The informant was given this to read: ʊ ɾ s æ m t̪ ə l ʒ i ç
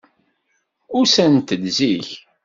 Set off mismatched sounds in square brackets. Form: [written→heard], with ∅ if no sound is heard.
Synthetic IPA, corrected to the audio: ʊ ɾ s æ [m→n] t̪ ə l [ʒ→z] i ç